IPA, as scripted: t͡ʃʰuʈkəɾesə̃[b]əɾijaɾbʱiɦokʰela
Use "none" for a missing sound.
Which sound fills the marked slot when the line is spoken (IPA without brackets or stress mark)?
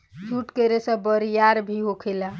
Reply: b